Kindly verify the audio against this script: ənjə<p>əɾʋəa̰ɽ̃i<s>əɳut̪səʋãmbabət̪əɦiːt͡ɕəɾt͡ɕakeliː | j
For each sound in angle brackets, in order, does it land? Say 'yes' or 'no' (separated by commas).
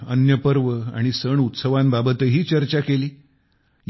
yes, yes